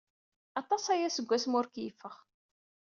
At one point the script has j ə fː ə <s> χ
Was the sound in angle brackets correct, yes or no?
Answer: no